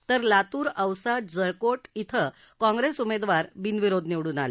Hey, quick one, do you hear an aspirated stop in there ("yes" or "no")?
yes